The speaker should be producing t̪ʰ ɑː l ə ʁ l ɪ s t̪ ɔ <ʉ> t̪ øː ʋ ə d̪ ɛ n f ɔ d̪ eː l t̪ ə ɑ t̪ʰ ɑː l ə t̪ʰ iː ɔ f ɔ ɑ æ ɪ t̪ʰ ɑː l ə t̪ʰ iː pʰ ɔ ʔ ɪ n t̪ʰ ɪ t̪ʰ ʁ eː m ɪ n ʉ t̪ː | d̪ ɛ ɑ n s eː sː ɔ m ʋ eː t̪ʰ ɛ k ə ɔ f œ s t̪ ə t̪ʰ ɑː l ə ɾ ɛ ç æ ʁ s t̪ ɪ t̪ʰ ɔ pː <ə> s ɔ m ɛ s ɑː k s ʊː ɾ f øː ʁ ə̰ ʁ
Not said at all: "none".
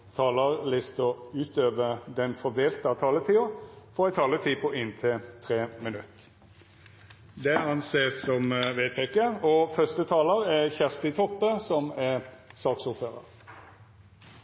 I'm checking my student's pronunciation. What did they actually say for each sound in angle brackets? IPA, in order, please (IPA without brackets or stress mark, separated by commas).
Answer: ʉː, ə